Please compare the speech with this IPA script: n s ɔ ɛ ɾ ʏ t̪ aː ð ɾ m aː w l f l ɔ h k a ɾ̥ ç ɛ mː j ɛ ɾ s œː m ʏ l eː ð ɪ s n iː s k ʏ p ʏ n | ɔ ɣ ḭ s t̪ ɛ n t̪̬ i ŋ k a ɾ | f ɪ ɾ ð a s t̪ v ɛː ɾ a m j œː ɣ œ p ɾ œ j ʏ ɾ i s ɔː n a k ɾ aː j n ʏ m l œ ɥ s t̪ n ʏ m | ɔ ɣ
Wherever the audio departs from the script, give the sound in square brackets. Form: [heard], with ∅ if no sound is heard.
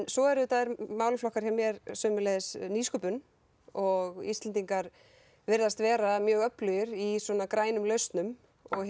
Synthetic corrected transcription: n s ɔ ɛ ɾ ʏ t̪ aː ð ɾ m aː w l f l ɔ h k a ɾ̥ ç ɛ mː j ɛ ɾ s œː m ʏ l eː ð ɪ s n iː s k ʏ p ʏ n | ɔ ɣ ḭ s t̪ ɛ n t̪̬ i ŋ k a ɾ | [v] ɪ ɾ ð a s t̪ v ɛː ɾ a m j œː ɣ œ p [l] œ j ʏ ɾ i s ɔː n a k ɾ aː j n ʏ m l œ ɥ s t̪ n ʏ m | ɔ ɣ